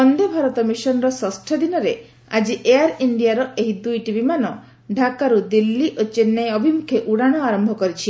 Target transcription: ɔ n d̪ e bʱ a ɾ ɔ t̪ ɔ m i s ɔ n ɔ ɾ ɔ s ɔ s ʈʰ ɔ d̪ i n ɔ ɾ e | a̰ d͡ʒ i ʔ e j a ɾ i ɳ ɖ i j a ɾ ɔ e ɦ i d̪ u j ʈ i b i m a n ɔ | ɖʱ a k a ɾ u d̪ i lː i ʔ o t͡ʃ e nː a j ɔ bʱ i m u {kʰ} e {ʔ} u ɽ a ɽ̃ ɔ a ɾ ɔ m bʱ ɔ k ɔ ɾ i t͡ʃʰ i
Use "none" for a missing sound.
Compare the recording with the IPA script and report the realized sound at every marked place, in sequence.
kʰ, ʔ

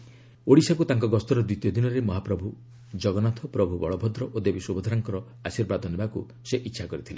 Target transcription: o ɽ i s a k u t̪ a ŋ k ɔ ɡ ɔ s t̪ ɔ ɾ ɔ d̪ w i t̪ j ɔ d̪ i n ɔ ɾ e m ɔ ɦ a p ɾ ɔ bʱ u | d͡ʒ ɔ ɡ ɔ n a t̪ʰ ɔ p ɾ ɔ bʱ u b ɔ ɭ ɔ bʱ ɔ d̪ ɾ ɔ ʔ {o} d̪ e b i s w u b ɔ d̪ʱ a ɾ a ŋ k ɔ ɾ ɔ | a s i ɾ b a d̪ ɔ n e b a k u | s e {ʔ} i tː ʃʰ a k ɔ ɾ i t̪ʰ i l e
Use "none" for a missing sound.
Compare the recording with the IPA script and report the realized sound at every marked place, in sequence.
o, ʔ

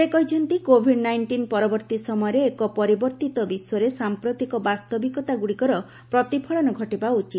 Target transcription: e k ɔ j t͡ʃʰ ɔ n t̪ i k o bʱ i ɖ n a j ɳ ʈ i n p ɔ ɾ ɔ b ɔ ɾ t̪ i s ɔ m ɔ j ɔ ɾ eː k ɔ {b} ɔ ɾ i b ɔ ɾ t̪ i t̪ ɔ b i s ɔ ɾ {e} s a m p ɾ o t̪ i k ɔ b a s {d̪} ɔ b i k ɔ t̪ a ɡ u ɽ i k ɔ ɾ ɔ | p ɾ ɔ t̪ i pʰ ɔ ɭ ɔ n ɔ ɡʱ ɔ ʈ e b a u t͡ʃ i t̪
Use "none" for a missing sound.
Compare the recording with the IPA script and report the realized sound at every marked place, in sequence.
p, e, t̪

